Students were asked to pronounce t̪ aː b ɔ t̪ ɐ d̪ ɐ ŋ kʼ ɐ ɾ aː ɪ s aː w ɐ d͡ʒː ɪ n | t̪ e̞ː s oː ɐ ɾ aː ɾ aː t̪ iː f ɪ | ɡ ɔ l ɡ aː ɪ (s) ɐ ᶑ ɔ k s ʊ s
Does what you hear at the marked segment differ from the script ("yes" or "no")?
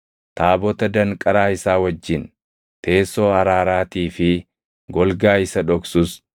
no